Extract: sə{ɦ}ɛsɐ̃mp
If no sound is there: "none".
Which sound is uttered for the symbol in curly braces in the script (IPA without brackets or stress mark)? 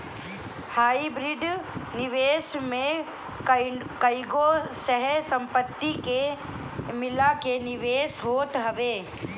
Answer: ɦ